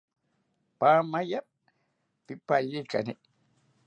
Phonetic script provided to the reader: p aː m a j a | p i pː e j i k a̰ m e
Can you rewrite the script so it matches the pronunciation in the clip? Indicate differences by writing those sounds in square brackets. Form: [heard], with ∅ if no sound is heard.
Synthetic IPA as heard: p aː m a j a | p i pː [a] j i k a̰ [n] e